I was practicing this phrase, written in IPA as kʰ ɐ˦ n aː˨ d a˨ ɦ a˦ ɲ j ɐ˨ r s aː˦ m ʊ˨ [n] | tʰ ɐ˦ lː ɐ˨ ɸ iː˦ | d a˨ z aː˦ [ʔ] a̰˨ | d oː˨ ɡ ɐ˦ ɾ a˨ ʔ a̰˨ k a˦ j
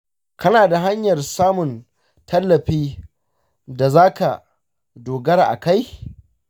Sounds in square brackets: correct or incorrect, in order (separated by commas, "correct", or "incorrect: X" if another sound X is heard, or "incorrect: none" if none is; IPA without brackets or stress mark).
correct, incorrect: k